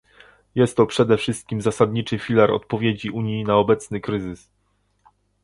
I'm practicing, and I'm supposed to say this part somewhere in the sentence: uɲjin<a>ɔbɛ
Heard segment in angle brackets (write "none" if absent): a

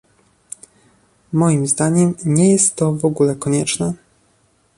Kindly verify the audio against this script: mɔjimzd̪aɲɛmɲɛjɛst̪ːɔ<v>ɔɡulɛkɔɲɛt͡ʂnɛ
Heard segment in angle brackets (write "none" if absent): v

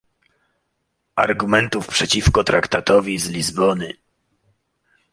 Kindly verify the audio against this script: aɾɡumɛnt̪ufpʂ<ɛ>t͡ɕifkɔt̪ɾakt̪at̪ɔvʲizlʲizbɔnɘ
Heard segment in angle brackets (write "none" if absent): ɛ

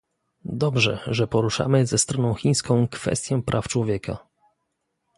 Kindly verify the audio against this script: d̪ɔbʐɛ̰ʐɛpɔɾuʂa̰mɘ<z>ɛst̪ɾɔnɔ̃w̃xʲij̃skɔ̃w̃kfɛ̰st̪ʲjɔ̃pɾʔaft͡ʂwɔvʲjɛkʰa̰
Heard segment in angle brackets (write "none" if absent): z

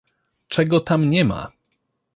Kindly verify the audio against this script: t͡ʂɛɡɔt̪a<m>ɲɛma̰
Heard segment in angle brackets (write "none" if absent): m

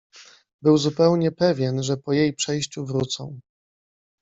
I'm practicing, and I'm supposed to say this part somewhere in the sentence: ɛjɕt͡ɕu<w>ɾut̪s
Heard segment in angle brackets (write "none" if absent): v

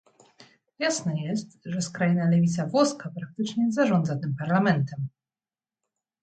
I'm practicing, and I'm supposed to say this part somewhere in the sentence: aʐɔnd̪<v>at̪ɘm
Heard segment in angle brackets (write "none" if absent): z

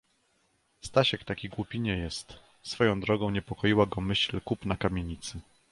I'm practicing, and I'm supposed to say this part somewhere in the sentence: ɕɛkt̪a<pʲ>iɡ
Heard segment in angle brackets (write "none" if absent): kʲ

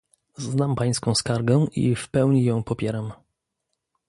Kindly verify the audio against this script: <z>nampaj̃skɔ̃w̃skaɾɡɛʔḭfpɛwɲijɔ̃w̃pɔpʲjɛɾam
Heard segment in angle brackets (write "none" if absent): z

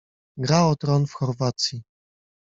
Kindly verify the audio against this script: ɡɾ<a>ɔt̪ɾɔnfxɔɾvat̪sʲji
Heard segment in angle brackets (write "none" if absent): a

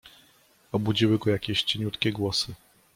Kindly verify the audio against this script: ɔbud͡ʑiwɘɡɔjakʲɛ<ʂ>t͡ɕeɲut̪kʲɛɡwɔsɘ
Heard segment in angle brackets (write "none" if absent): ɕ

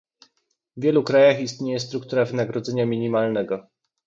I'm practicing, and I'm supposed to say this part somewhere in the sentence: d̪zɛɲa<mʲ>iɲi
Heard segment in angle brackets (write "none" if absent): mʲ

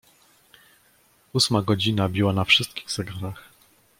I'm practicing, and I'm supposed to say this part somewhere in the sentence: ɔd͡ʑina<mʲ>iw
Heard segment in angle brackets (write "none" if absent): bʲ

